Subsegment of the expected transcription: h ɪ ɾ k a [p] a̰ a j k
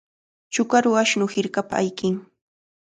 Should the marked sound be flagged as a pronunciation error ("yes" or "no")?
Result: no